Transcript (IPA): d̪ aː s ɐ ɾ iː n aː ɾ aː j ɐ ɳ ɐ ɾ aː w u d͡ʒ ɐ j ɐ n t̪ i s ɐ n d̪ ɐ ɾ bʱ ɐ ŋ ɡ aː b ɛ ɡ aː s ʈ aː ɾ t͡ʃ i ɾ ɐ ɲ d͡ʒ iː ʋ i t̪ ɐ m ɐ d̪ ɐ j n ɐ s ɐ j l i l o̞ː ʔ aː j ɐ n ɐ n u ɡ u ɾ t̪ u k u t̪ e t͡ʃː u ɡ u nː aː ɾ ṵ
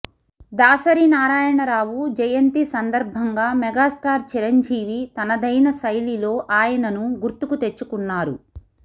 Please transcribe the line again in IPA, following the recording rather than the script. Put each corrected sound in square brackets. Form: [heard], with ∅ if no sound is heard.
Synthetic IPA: d̪ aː s ɐ ɾ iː n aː ɾ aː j ɐ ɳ ɐ ɾ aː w u d͡ʒ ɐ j ɐ n t̪ i s ɐ n d̪ ɐ ɾ bʱ ɐ ŋ ɡ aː [m] ɛ ɡ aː s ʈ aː ɾ t͡ʃ i ɾ ɐ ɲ d͡ʒ iː ʋ i t̪ ɐ [n] ɐ d̪ ɐ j n ɐ s ɐ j l i l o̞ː ʔ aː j ɐ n ɐ n u ɡ u ɾ t̪ u k u t̪ e t͡ʃː u [k] u nː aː ɾ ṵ